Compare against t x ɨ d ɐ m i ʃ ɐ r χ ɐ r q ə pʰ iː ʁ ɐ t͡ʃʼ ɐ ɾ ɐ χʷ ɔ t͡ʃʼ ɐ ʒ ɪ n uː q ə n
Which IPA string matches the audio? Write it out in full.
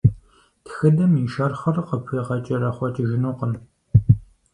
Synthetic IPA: t x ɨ d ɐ m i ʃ ɐ r χ ɐ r q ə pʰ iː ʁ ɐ t͡ʃʼ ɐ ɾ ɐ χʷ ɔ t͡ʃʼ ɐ ʒ ɪ n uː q ə n